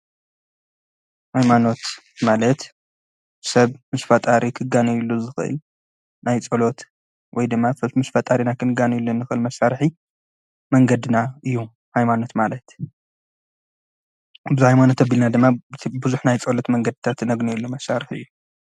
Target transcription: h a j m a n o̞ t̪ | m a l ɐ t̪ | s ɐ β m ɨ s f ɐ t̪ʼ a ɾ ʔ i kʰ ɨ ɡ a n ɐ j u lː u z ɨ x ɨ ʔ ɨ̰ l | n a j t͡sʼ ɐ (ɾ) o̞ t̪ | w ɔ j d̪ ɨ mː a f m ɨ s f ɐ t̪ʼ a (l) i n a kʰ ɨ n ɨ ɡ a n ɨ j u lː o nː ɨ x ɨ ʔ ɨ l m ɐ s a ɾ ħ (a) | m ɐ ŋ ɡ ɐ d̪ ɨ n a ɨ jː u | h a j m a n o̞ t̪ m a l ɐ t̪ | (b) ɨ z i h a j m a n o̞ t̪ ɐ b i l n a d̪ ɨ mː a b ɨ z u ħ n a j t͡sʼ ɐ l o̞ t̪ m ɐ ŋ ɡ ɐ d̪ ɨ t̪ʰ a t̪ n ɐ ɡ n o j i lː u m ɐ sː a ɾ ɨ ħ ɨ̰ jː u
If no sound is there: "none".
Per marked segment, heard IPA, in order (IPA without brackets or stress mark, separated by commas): l, ɾ, i, b